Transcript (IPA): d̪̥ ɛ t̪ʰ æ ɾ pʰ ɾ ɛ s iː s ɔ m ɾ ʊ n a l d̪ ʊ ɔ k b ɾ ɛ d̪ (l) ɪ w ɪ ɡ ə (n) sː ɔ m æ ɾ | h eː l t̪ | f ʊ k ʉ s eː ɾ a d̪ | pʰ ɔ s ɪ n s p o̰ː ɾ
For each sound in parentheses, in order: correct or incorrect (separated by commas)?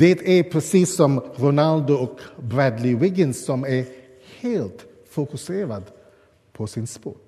correct, correct